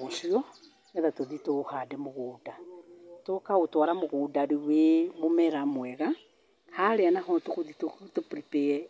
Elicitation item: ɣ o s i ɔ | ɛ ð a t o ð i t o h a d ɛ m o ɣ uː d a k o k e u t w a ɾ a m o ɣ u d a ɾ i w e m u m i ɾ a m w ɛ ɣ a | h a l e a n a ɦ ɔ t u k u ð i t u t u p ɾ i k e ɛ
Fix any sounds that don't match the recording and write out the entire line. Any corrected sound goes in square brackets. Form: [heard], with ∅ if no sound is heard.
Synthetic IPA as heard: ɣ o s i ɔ | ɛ ð a t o ð i t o h a d ɛ m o ɣ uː d a [t] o k [a] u t w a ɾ a m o ɣ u d a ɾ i w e m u m [ɛ] ɾ a m w ɛ ɣ a | h a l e a n a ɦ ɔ t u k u ð i t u t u p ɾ i [p] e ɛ